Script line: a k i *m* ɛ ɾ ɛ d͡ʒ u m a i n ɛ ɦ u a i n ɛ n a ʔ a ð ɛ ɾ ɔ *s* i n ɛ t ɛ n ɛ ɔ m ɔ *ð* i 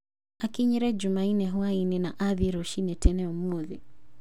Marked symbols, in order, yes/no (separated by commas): no, no, yes